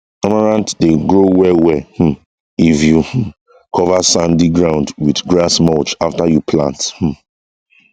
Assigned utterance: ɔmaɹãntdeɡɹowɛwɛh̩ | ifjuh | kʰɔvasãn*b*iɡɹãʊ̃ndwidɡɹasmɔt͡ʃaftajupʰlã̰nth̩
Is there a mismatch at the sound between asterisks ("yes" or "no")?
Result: yes